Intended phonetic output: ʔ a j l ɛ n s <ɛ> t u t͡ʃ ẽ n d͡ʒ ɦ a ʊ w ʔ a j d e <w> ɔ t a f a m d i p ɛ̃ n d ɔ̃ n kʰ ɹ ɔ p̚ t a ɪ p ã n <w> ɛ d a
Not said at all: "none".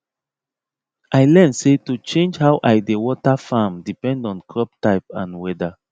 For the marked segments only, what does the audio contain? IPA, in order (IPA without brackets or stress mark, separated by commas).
e, w, w